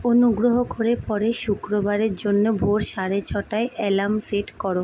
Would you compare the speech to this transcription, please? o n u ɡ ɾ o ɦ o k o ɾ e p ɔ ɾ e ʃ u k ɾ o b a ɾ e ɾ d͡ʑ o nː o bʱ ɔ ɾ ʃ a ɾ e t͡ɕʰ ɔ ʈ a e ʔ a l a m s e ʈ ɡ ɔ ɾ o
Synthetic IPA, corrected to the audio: o n u ɡ ɾ o ɦ o k o ɾ e p ɔ ɾ e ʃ u k ɾ o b a ɾ e ɾ d͡ʑ o nː o bʱ o ɾ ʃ a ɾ e t͡ɕʰ ɔ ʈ a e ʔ ɛ l a m s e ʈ k ɔ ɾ o